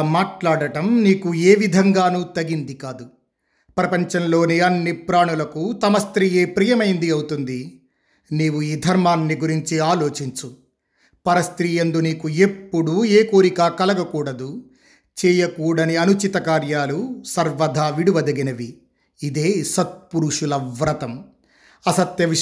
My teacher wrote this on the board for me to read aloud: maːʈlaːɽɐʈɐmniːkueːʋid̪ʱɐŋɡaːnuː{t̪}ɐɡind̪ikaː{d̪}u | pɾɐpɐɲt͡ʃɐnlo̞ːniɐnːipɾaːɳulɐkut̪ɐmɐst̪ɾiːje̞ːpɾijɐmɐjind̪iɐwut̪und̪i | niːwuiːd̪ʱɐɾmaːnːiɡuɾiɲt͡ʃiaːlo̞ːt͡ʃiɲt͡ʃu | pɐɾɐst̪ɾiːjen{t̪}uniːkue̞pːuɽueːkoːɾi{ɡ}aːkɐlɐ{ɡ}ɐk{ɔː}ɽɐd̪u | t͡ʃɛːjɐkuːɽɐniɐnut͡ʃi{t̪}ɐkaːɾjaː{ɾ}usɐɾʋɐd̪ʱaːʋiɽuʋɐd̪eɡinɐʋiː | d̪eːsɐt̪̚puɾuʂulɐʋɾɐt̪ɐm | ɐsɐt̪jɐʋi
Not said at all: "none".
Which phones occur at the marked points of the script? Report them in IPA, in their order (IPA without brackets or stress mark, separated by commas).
t̪, d̪, d̪, k, ɡ, uː, t̪, l